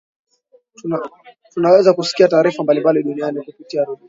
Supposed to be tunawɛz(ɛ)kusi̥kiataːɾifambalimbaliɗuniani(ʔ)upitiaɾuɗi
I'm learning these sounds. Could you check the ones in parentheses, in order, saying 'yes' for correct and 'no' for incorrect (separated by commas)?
no, no